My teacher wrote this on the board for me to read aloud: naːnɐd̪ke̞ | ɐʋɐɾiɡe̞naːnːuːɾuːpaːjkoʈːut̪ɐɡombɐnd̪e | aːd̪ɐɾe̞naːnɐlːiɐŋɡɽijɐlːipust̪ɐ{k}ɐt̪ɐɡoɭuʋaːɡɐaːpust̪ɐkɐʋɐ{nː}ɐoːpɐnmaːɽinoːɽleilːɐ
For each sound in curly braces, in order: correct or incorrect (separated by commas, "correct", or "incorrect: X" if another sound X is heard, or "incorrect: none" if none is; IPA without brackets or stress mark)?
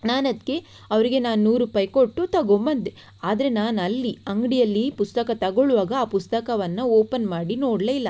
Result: correct, correct